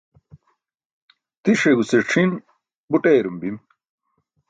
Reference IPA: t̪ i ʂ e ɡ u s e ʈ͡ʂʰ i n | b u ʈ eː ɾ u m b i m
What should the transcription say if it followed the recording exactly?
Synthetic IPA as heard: t̪ i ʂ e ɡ u s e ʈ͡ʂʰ i n | b u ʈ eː ɾ u m b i m